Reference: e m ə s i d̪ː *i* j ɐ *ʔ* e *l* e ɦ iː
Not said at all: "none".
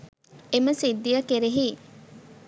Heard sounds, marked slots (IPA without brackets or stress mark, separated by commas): i, k, ɾ